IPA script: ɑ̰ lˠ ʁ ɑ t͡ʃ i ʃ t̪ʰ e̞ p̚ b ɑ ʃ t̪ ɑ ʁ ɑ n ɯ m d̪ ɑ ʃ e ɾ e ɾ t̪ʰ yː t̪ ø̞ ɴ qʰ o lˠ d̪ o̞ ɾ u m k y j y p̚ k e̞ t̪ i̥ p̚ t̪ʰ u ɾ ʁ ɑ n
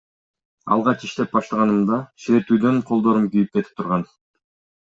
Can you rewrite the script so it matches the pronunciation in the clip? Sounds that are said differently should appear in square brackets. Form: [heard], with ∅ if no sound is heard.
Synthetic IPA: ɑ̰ lˠ ʁ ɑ t͡ʃ i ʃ [t̪] e̞ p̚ b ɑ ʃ t̪ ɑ ʁ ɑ n ɯ m d̪ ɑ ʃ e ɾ e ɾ [t̪] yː [d̪] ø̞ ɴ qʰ o lˠ d̪ o̞ ɾ u m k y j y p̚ k e̞ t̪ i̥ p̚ t̪ʰ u ɾ ʁ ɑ n